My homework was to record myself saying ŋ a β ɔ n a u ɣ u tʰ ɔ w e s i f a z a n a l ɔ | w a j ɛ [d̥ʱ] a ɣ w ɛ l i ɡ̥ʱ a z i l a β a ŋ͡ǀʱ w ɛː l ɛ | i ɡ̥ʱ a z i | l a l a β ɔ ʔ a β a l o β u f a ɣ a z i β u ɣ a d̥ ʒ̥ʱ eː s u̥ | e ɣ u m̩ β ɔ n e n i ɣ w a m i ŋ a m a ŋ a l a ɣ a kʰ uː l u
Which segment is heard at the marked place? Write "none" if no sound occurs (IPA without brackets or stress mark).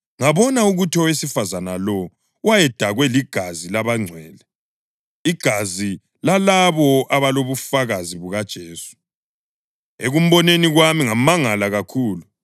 d̥ʱ